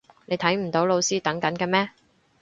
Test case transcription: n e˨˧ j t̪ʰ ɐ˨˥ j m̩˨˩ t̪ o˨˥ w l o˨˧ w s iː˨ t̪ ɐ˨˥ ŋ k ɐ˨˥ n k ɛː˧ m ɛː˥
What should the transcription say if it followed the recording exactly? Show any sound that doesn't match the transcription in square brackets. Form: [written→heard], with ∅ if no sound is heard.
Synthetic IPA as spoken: n e˨˧ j t̪ʰ ɐ˨˥ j m̩˨˩ t̪ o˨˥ w l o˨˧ w s [iː˨→iː˥] t̪ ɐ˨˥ ŋ k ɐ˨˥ n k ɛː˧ m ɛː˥